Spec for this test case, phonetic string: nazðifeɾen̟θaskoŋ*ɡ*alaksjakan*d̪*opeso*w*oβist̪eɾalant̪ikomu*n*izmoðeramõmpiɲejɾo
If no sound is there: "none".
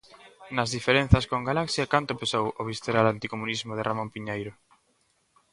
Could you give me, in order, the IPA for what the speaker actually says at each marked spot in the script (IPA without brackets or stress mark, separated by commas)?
ɡ, t̪, w, n